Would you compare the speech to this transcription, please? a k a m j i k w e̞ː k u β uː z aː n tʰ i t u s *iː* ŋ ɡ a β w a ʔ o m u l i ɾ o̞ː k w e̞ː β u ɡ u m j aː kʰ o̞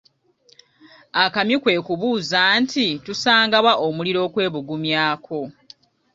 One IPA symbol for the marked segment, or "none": aː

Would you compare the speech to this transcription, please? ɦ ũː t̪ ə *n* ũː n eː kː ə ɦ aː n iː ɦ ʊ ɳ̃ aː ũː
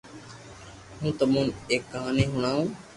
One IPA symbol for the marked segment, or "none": m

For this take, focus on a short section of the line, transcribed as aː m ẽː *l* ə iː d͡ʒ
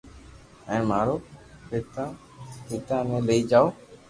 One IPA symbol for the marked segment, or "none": l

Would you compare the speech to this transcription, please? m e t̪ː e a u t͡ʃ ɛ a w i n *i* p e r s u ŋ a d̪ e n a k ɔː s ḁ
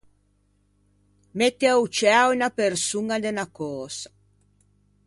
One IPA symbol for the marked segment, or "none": a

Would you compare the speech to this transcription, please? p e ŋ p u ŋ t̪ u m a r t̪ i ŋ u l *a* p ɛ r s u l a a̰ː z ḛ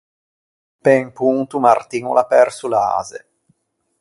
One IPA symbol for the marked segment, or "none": a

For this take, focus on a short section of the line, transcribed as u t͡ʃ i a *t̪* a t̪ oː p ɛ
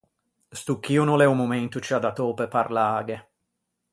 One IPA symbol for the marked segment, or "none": d̪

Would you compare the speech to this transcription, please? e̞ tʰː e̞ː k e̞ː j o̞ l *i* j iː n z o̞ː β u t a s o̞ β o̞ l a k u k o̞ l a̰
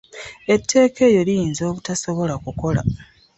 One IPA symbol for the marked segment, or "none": i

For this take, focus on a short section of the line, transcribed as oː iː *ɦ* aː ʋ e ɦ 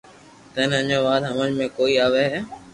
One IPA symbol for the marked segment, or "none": none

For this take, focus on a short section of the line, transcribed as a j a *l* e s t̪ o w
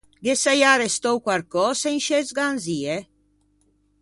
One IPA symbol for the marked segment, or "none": ɾ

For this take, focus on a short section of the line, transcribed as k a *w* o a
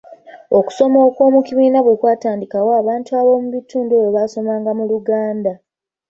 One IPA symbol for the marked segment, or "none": w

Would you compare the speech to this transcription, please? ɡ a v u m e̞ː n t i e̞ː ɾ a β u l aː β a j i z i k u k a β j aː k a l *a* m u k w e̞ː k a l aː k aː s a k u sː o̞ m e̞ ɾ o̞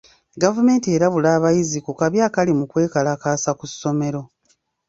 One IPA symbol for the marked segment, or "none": i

